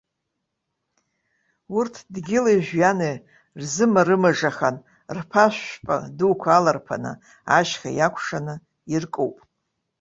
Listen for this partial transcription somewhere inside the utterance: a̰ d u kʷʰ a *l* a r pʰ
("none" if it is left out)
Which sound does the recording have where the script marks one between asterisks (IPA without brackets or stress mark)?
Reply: l